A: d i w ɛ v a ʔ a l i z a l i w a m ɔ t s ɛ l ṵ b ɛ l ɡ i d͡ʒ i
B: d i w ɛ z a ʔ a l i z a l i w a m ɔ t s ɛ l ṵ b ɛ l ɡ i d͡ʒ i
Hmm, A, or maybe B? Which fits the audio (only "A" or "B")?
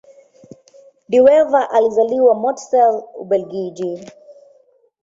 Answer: A